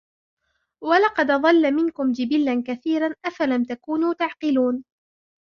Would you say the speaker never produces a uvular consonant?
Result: no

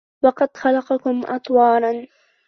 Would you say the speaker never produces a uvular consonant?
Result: no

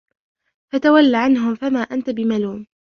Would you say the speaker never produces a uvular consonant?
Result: yes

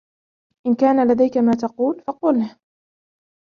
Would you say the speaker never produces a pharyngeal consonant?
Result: yes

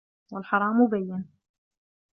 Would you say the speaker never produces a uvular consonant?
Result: yes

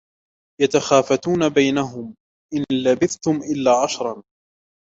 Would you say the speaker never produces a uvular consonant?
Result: yes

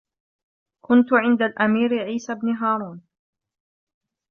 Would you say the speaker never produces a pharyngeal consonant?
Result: no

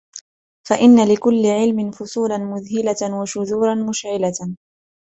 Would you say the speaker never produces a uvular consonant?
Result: yes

